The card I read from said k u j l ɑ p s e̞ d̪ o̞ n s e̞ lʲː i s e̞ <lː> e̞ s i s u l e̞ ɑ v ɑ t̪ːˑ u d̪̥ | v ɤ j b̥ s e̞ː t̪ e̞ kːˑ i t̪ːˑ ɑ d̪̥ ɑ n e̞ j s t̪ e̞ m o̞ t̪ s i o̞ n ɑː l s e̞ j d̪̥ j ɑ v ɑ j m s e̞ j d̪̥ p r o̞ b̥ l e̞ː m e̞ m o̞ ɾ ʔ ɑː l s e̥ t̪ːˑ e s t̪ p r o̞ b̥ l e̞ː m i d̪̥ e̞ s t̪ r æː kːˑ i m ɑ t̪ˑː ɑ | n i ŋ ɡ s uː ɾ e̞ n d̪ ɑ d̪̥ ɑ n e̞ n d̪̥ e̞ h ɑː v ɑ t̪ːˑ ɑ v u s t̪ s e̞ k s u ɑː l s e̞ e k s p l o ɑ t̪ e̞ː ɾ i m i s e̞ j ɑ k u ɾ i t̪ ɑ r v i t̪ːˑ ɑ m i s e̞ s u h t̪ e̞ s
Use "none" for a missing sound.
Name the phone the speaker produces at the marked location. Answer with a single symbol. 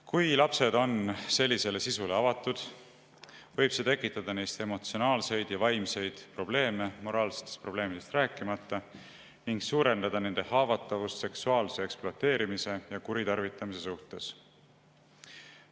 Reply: l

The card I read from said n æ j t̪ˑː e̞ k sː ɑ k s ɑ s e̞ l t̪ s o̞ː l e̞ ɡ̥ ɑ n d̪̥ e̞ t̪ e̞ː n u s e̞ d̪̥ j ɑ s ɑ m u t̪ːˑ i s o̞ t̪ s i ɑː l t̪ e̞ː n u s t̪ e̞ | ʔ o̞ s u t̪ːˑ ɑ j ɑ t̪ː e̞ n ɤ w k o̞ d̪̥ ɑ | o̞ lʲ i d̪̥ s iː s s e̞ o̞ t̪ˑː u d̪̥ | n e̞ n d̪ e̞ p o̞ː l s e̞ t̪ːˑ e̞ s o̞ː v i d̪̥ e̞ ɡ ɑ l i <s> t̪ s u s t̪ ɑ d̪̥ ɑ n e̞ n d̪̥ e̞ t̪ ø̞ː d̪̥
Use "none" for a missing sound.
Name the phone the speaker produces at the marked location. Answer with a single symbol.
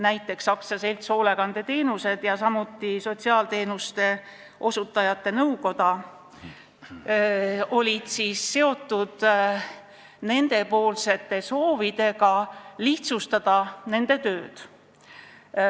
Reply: h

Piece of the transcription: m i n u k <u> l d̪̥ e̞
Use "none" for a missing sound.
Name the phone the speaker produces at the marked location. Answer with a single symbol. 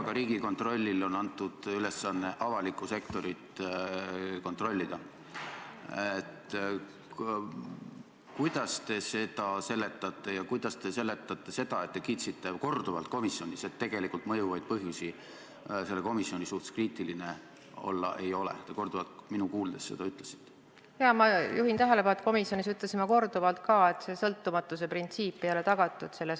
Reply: uː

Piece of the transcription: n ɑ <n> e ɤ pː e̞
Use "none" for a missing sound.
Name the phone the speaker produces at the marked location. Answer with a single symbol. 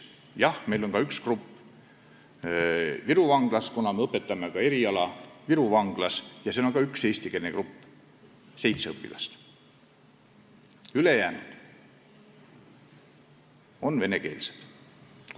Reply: m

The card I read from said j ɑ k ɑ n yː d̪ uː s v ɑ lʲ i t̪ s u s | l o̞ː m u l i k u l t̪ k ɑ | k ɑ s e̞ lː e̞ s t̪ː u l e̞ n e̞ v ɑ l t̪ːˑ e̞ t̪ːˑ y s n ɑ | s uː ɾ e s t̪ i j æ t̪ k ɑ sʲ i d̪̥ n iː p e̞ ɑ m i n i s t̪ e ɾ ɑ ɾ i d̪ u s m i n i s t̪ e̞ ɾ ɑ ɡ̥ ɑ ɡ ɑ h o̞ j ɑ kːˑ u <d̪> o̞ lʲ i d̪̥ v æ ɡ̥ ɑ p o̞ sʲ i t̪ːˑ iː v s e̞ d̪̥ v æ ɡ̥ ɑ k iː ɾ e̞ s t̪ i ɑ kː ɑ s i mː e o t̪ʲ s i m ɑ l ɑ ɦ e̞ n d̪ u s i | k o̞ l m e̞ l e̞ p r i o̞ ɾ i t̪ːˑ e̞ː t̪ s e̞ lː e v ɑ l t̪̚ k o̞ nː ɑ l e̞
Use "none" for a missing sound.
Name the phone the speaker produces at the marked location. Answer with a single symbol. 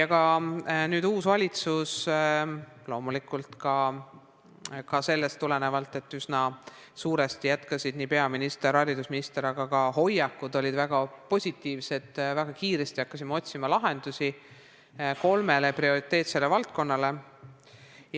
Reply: d̪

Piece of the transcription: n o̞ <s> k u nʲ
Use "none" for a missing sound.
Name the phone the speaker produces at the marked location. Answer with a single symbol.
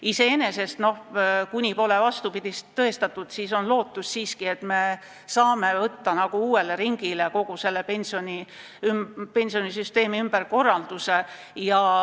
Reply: h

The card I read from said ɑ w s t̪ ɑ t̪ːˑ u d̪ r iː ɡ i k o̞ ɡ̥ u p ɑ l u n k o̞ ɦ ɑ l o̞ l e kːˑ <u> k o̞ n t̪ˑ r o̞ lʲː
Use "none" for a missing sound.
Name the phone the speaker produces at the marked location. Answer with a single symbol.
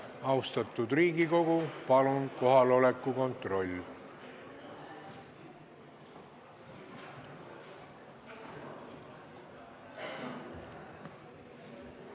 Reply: u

